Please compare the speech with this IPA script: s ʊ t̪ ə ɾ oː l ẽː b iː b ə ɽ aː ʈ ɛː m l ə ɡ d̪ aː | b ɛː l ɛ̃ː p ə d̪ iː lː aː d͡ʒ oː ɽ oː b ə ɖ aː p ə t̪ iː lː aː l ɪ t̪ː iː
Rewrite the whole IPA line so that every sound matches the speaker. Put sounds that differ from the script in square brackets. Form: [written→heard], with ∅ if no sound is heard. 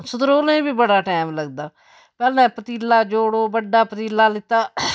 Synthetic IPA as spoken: s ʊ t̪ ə ɾ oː l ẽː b iː b ə ɽ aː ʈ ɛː m l ə ɡ d̪ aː | [b→p] ɛː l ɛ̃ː p ə [d̪→t̪] iː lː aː d͡ʒ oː ɽ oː b ə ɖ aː p ə t̪ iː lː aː l ɪ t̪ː [iː→aː]